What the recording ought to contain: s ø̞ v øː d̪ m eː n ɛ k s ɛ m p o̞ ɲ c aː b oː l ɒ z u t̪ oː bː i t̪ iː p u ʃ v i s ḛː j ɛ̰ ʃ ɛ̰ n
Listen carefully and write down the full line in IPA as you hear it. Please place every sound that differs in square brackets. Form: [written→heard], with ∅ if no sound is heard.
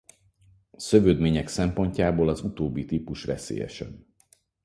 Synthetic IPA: s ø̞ v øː d̪ m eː [n→ɲ] ɛ k s ɛ m p o̞ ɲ c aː b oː l ɒ z u t̪ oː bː i t̪ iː p u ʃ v [i→ɛ] s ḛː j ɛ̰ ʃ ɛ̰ n